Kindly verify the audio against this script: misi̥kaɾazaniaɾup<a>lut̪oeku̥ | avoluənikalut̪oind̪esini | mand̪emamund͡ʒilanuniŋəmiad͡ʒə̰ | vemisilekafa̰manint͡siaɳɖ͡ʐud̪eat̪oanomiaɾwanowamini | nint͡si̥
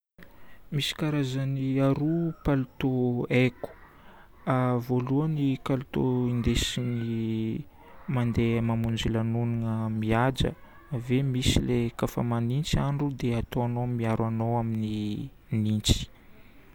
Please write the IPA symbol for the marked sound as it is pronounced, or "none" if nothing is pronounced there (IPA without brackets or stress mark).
a